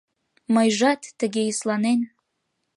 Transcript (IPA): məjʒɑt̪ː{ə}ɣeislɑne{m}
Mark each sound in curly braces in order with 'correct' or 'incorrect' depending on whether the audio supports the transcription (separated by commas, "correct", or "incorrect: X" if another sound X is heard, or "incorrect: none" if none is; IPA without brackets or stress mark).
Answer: correct, incorrect: n